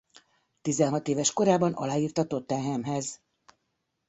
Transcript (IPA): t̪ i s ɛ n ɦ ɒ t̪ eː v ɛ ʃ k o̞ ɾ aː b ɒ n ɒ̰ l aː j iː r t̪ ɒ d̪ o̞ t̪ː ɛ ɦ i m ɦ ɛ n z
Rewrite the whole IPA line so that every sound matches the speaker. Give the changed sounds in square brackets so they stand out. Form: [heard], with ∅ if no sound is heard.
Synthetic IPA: t̪ i [z] ɛ n ɦ ɒ t̪ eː v ɛ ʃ k o̞ ɾ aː b ɒ n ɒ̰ l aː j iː r t̪ ɒ [t̪] o̞ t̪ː ɛ ɦ [ɛ] m ɦ ɛ [∅] z